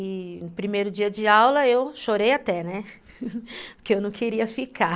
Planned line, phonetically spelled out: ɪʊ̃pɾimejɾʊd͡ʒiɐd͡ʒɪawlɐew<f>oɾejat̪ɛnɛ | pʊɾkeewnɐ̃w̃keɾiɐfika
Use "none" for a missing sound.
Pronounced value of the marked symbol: ʃ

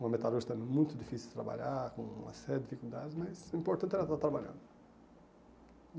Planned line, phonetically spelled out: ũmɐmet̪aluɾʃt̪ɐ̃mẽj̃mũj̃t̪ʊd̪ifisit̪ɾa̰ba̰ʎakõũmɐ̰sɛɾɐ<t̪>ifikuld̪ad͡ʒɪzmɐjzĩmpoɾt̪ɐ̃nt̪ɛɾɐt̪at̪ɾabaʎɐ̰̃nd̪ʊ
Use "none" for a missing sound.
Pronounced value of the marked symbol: d̪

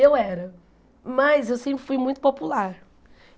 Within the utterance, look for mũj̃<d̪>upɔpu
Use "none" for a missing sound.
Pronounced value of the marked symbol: t̪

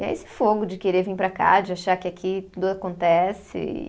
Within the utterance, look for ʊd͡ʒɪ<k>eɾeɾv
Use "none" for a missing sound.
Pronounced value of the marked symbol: k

